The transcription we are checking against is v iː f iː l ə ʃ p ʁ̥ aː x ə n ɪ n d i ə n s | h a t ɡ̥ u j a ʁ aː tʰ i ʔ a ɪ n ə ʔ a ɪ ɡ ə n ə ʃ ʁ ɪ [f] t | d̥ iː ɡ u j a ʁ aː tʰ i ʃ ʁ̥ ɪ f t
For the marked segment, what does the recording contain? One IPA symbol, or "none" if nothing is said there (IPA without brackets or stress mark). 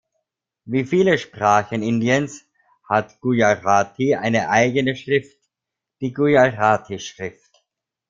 f